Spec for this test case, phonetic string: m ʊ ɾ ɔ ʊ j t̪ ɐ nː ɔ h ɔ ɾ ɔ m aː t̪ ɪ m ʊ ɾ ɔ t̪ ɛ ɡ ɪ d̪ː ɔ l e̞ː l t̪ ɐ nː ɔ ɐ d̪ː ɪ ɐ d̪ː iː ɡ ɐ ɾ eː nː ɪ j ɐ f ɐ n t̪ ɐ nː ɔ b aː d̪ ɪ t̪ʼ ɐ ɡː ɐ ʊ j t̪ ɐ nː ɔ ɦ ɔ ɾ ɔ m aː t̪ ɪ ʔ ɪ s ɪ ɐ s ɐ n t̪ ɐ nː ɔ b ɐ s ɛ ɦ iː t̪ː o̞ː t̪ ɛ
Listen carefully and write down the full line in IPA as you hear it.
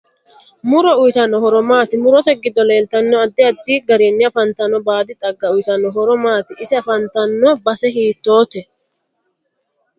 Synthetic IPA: m ʊ ɾ ɔ ʊ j t̪ ɐ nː ɔ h ɔ ɾ ɔ m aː t̪ ɪ m ʊ ɾ ɔ t̪ ɛ ɡ ɪ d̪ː ɔ l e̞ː l t̪ ɐ nː ɔ ɐ d̪ː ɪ ɐ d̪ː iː ɡ ɐ ɾ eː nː ɪ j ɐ f ɐ n t̪ ɐ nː ɔ b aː d̪ ɪ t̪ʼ ɐ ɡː ɐ ʊ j t̪ ɐ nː ɔ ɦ ɔ ɾ ɔ m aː t̪ ɪ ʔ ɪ s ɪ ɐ f ɐ n t̪ ɐ nː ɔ b ɐ s ɛ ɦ iː t̪ː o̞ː t̪ ɛ